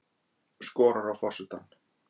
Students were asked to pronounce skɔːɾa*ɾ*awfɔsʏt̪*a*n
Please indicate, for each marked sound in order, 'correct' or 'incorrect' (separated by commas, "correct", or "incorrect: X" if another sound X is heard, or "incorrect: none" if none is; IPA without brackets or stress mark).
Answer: correct, correct